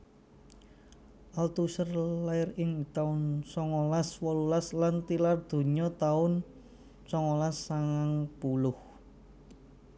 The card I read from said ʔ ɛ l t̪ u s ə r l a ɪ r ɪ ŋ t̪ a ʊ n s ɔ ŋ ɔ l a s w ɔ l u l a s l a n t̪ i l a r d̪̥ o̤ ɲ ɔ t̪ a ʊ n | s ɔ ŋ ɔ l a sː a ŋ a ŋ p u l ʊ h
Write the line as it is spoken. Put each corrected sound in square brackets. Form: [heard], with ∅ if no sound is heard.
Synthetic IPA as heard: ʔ [a] l t̪ u s ə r l a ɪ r ɪ ŋ t̪ a ʊ n s ɔ ŋ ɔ l a s w ɔ l u l a s l a n t̪ i l a r d̪̥ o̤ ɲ ɔ t̪ a ʊ n | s ɔ ŋ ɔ l a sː a ŋ a ŋ p u l ʊ h